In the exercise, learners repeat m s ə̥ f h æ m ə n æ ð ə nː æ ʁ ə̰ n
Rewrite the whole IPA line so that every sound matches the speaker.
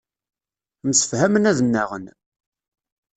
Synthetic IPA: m s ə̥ f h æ m ə n æ ð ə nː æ ʁ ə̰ n